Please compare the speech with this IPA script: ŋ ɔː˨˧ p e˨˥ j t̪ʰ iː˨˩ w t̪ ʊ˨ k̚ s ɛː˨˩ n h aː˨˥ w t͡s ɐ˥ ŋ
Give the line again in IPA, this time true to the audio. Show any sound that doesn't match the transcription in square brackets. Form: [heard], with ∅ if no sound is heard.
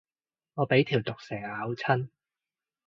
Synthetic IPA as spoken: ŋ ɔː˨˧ p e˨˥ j t̪ʰ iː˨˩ w t̪ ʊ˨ k̚ s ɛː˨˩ [ŋ] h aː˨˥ w [t͡sʰ] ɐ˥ [n]